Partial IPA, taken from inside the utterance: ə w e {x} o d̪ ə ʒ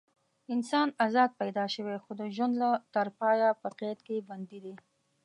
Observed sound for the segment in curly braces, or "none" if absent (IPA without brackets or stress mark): x